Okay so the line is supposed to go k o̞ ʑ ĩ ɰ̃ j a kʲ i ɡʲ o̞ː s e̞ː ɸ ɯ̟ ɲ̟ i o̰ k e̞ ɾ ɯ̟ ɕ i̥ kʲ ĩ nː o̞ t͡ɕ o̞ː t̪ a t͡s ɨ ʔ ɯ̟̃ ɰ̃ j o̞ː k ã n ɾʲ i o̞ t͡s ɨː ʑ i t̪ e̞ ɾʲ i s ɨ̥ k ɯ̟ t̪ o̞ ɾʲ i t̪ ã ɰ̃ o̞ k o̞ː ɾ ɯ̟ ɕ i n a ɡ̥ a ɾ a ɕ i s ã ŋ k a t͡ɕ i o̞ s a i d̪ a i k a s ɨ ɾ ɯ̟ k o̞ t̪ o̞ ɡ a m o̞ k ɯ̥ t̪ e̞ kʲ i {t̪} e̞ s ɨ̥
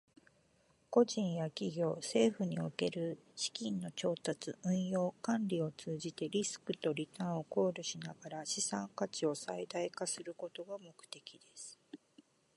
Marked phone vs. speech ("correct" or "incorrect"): incorrect